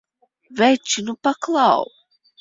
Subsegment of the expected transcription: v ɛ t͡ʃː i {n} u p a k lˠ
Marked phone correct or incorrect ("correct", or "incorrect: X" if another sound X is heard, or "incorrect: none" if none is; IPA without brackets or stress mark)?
correct